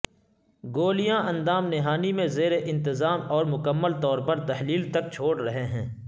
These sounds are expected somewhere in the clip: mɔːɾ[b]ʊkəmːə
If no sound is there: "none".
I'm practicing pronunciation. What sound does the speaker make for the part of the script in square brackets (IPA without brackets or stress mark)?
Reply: m